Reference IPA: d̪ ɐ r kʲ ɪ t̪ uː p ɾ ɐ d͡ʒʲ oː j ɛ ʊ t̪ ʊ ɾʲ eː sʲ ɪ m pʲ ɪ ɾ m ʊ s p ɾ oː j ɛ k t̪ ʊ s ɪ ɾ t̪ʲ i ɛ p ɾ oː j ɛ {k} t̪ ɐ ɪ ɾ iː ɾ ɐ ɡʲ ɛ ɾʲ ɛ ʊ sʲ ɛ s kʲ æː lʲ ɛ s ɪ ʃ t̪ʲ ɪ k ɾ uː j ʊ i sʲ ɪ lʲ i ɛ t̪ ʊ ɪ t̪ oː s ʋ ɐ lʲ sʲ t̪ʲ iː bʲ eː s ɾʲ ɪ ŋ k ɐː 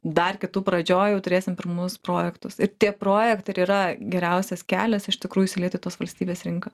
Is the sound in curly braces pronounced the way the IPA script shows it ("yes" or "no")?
yes